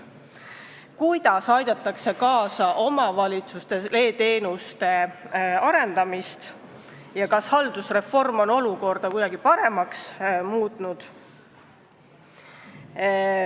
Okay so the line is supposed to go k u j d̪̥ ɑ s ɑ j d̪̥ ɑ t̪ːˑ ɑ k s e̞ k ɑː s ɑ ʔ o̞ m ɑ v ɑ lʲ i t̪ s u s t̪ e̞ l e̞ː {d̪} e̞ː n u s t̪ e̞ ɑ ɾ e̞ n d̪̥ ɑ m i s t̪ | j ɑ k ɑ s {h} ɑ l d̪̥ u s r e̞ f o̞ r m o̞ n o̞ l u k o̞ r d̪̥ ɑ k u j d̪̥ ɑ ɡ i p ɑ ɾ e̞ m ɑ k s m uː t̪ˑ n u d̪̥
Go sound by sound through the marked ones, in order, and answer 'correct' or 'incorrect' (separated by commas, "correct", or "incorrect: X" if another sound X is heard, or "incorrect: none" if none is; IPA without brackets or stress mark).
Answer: incorrect: t̪, correct